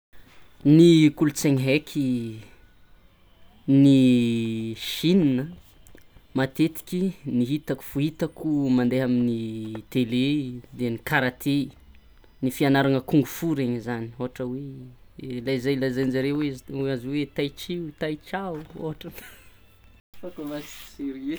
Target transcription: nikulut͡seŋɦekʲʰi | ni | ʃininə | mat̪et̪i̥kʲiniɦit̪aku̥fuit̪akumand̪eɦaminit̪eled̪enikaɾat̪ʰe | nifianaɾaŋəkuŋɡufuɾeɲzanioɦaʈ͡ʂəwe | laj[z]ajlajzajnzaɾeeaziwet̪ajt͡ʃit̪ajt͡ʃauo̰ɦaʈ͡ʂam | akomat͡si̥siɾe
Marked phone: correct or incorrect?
correct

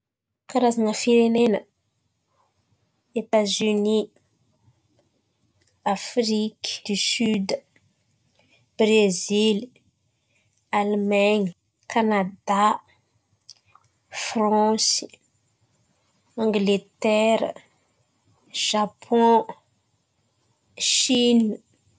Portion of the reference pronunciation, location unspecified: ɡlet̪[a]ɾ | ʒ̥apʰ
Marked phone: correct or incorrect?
incorrect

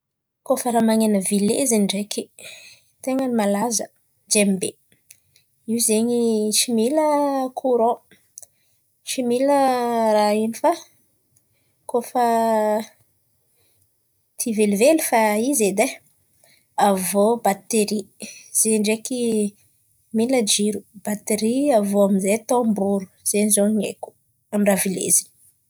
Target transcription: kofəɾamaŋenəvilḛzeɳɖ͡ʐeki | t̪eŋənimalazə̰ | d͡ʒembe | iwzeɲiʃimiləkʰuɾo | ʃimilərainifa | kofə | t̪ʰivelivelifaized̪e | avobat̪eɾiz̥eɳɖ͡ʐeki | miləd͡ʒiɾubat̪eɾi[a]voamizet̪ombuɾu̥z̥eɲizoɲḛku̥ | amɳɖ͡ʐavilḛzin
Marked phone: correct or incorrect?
correct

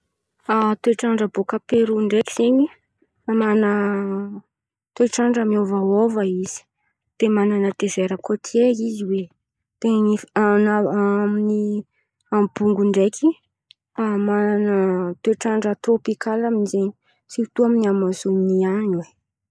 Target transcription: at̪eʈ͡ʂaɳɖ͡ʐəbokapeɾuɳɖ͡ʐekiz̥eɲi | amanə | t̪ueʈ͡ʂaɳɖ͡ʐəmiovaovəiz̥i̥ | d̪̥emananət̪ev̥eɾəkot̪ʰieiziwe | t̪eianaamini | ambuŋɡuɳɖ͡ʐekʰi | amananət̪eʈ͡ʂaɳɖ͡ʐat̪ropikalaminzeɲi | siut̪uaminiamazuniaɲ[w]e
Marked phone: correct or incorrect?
correct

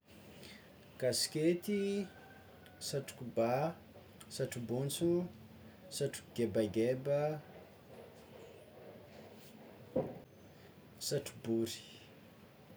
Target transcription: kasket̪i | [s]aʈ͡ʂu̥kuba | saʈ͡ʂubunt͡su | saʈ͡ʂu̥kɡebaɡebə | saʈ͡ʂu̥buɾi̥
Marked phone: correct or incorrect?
correct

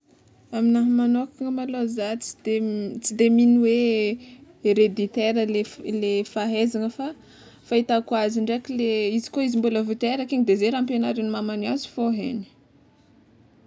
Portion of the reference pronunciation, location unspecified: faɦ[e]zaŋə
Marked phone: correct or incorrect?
correct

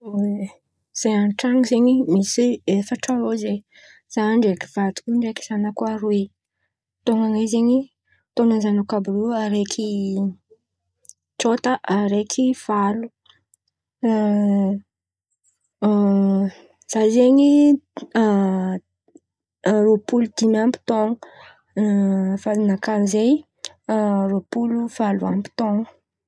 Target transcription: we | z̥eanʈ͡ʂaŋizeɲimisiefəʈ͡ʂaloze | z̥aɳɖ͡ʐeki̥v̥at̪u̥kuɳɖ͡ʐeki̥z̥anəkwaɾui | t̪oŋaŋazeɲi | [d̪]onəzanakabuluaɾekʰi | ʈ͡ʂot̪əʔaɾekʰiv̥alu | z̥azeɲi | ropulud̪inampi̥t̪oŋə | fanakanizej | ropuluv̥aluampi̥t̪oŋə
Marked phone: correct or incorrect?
incorrect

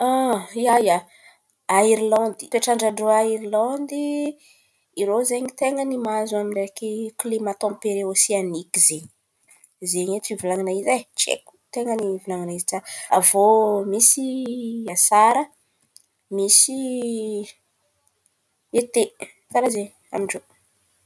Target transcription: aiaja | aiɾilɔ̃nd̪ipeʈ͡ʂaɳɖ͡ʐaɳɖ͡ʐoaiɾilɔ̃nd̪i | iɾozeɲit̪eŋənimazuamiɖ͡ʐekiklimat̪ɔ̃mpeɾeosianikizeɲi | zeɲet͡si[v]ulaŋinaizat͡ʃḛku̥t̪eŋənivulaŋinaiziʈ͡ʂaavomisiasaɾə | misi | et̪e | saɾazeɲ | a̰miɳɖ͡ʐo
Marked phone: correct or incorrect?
correct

